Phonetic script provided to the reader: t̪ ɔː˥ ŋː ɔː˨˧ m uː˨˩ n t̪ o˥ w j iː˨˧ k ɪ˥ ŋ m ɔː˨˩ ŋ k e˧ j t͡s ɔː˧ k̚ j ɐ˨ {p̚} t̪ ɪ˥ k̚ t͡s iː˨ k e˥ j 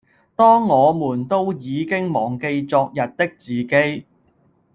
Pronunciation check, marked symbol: incorrect: t̚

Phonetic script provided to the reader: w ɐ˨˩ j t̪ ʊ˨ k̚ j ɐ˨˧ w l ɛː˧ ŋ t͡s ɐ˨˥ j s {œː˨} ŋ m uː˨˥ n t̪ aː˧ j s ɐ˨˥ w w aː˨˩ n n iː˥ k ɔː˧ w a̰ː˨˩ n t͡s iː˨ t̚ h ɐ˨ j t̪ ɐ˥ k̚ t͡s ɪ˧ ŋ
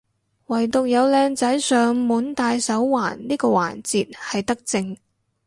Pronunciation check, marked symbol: correct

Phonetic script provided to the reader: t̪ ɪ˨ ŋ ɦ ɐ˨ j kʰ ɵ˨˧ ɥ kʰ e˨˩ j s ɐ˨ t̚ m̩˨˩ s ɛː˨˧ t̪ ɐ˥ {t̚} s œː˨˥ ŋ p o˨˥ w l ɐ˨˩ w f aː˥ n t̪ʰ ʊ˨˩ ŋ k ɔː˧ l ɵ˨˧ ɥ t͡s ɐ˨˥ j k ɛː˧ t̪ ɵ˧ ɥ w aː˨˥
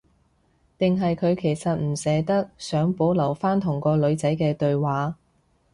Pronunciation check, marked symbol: incorrect: k̚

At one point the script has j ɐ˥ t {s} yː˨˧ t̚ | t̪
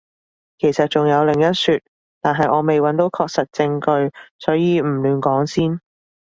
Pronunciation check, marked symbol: correct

